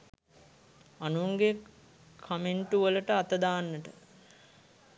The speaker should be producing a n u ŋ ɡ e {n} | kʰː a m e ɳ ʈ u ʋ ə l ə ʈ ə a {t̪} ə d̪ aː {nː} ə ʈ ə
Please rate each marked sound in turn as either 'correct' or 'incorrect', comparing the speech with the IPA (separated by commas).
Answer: incorrect, correct, correct